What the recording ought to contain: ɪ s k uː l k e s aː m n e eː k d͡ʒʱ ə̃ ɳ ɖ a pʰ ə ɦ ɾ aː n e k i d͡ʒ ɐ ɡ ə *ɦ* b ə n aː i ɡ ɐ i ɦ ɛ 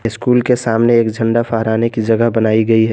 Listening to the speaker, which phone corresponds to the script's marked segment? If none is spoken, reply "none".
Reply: ɦ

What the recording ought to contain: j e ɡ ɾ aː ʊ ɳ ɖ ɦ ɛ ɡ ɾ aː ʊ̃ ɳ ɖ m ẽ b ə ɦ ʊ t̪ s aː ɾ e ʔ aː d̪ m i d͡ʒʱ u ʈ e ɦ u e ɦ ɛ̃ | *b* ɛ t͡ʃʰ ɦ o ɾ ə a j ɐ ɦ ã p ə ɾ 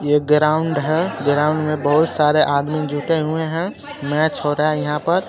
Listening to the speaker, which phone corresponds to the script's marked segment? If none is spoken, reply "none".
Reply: m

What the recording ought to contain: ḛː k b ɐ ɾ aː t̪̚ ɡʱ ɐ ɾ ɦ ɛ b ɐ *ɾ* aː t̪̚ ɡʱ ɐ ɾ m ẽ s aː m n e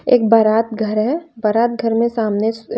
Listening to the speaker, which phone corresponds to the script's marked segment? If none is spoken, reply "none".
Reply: ɾ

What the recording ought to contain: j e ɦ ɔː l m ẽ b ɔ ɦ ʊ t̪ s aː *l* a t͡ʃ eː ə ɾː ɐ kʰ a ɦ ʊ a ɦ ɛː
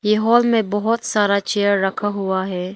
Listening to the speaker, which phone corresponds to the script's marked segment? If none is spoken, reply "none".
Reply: ɾ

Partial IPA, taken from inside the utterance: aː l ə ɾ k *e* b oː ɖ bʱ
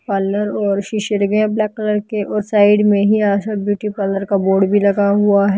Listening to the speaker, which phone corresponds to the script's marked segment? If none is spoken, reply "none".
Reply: a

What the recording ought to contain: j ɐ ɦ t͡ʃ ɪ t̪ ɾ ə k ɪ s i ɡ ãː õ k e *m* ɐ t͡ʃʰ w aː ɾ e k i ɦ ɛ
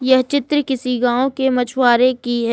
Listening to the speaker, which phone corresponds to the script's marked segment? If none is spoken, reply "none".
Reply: m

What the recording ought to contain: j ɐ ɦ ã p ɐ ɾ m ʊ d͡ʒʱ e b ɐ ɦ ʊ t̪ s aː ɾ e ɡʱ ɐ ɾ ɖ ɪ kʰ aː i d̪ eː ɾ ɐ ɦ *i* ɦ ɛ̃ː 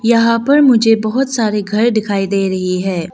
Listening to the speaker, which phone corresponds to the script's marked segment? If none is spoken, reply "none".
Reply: i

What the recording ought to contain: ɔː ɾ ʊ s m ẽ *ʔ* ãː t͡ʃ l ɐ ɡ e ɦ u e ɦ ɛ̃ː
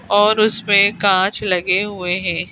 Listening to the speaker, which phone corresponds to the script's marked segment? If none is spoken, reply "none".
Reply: k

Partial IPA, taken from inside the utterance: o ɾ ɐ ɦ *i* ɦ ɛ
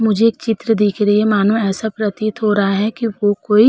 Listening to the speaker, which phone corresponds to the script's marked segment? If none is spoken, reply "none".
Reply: a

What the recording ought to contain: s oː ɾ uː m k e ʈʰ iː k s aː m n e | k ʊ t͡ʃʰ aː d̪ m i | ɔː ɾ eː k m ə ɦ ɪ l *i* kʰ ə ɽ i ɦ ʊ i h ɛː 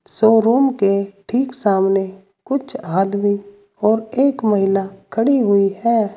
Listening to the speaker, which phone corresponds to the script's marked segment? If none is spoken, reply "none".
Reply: a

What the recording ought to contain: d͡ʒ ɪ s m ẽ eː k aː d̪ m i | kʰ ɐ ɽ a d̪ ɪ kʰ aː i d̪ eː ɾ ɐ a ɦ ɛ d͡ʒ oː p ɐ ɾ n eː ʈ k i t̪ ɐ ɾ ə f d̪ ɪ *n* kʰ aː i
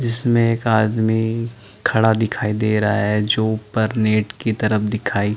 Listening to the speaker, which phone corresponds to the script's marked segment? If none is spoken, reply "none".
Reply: none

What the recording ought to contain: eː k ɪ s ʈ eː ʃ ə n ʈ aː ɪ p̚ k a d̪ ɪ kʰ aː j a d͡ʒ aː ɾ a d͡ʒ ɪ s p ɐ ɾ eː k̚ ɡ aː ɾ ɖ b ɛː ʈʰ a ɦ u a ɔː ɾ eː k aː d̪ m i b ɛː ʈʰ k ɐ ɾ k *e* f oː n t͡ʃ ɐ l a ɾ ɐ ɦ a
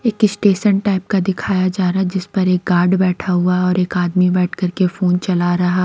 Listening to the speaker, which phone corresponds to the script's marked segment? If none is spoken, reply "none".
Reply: e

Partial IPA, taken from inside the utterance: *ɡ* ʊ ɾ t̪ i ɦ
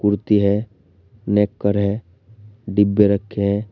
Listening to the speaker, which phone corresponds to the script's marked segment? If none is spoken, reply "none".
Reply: k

